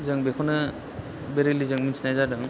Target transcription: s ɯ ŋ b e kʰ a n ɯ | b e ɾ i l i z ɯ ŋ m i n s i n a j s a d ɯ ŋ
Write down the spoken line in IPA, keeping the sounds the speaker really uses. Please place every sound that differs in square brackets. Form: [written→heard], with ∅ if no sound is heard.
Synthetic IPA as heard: [s→z] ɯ ŋ b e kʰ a n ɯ | b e ɾ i l i z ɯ ŋ m i n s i n a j [s→z] a d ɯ ŋ